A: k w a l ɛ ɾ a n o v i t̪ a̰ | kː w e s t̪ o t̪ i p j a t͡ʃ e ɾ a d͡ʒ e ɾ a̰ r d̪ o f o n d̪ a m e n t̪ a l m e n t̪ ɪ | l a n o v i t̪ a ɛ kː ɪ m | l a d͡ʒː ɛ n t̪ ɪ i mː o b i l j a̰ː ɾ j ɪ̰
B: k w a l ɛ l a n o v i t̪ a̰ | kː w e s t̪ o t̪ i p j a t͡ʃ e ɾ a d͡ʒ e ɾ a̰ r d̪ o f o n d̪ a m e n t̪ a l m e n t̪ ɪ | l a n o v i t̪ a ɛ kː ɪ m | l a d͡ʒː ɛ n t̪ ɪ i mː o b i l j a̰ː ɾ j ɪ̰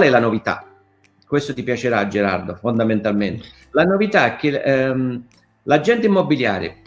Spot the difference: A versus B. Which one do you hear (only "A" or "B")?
B